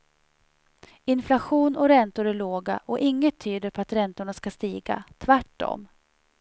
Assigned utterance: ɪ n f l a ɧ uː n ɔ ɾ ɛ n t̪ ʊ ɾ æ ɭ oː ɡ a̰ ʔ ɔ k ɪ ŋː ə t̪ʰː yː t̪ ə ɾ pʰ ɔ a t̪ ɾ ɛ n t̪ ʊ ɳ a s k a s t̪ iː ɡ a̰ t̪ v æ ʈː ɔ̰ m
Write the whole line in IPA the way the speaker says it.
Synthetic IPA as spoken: ɪ n f l a ɧ uː n ɔ ɾ ɛ n t̪ ʊ ɾ æ ɭ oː ɡ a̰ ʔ ɔ ʔ ɪ ŋː ə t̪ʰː yː d̪ ə ɾ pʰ ɔ a t̪ ɾ ɛ n t̪ ʊ ɳ a s k a s t̪ iː ɡ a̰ t̪ʰ v æ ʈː ɔ̰ m